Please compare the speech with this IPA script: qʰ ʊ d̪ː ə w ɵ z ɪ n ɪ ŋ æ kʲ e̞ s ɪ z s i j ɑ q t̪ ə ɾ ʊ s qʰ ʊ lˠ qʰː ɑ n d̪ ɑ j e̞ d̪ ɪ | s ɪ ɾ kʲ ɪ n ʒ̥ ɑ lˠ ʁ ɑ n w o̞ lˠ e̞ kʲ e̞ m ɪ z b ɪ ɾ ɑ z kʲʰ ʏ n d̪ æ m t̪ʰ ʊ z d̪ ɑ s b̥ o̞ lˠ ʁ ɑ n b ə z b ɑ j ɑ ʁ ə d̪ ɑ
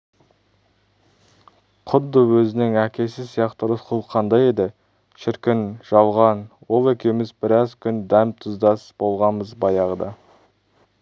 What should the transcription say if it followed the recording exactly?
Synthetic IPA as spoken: qʰ ʊ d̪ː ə w ɵ z ɪ n ɪ ŋ æ kʲ e̞ s ɪ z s i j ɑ q t̪ ə ɾ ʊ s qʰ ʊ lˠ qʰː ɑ n d̪ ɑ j e̞ d̪ ɪ | ʃ ɪ ɾ kʲ ɪ n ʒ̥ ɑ lˠ ʁ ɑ n w o̞ lˠ e̞ kʲ e̞ m ɪ z b ɪ ɾ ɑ z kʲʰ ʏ n d̪ æ m t̪ʰ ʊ z d̪ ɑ s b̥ o̞ lˠ ʁ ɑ n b ə z b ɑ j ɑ ʁ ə d̪ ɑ